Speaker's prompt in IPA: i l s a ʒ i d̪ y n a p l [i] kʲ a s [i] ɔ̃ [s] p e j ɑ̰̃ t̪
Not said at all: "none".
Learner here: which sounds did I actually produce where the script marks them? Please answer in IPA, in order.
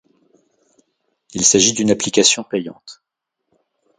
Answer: i, j, none

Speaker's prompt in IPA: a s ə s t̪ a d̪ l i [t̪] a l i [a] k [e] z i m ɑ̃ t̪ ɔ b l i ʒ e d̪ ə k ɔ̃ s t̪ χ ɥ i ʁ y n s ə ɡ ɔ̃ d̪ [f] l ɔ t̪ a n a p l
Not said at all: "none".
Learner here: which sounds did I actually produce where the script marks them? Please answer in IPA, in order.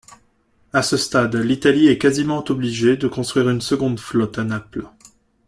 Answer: t̪, ɛ, a, f

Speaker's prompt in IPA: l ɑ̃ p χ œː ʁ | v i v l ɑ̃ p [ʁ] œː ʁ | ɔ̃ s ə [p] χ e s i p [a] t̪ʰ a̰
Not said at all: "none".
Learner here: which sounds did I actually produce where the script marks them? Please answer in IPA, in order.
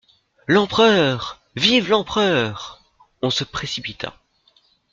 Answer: χ, p, i

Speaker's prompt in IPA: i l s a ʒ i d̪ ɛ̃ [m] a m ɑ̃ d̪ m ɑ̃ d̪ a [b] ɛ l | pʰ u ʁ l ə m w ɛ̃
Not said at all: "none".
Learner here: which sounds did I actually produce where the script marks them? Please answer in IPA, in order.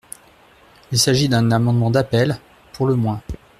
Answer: n, p

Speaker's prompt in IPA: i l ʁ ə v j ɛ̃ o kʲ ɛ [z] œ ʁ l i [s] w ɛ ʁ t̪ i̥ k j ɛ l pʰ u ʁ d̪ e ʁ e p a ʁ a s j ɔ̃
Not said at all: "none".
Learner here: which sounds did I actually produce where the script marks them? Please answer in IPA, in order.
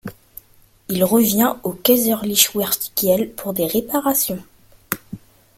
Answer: z, ʃ

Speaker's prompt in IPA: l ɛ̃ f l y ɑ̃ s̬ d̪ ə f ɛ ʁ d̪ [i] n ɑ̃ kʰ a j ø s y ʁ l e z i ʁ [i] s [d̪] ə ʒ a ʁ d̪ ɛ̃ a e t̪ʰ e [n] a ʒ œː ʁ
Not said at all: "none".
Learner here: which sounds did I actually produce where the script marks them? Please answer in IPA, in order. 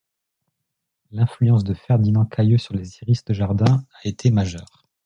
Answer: i, i, t̪, m

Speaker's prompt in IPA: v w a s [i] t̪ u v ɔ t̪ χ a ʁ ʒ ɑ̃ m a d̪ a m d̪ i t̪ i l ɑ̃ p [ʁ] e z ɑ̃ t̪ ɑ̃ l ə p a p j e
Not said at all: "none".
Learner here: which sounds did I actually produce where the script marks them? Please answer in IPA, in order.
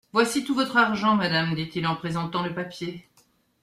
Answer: i, χ

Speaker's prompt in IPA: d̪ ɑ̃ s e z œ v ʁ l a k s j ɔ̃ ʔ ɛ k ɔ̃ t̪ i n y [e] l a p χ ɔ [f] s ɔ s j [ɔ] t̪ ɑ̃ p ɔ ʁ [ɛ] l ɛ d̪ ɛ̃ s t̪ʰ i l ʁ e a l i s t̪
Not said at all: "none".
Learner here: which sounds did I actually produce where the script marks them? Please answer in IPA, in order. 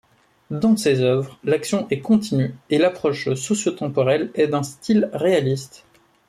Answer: e, ʃ, o, ɛ

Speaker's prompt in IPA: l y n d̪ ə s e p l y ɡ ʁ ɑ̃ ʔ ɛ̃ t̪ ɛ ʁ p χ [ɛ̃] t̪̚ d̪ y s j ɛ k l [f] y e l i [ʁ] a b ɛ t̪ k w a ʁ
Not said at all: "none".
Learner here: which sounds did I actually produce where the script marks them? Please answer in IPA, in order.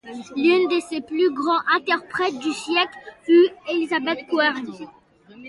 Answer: ɛ, f, z

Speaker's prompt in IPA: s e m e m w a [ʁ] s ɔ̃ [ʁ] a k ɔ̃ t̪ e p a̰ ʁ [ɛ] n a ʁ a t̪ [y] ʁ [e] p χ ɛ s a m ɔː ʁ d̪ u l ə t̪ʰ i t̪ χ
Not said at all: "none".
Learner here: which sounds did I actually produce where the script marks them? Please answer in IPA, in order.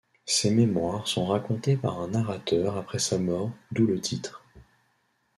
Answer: ʁ, ʁ, ɛ̃, œ, a

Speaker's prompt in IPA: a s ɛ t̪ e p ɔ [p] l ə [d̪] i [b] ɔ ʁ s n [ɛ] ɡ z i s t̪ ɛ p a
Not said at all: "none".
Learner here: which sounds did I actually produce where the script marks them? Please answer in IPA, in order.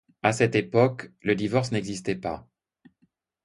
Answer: k, d̪, v, ɛ

